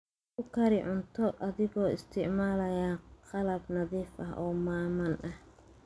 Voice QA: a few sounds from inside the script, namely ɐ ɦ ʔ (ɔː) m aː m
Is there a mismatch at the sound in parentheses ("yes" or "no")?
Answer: no